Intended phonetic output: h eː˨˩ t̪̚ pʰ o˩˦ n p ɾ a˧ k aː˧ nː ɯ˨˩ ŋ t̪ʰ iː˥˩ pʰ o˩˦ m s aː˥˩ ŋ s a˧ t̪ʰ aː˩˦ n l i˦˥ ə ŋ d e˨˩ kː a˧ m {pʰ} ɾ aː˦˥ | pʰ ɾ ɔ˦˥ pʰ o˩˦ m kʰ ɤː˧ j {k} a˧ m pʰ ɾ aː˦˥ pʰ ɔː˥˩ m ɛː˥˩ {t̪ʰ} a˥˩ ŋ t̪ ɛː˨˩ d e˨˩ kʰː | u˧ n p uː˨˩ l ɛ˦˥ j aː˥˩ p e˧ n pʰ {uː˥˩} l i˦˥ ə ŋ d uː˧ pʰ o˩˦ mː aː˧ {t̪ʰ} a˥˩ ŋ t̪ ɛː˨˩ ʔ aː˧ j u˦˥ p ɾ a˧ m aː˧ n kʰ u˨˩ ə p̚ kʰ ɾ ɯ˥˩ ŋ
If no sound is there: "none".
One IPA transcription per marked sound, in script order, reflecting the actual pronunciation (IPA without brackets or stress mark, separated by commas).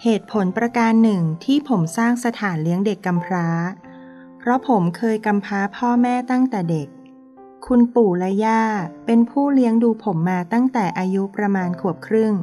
pʰ, k, t̪, uː˥˩, t̪